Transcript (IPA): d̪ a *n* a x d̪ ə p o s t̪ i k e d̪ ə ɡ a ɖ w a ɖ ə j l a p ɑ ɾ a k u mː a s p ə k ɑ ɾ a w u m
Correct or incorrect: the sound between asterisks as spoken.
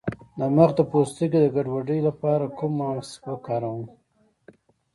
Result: incorrect: m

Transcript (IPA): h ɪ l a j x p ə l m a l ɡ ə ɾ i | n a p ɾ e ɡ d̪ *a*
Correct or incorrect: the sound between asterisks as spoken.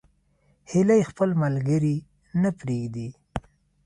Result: incorrect: i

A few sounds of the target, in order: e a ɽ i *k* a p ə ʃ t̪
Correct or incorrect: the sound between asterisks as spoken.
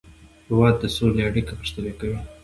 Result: correct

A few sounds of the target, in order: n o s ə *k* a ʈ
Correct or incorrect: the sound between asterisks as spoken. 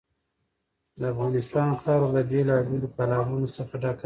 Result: incorrect: x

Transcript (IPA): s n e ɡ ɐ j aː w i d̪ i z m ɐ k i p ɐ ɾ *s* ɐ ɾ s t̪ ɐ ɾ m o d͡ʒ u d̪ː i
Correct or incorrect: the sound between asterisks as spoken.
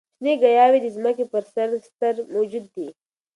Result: correct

